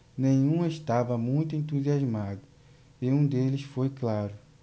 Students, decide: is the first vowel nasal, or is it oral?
nasal